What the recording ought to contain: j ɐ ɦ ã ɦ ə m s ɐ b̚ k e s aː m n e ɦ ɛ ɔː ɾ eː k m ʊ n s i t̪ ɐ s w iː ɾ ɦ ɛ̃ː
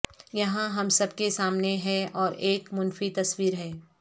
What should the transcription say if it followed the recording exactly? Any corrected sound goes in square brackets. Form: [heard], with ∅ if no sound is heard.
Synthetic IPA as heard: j ɐ ɦ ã ɦ [ɐ] m s ɐ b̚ k e s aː m n e ɦ ɛ ɔː ɾ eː k m ʊ n [f] i t̪ ɐ s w iː ɾ ɦ [ɛː]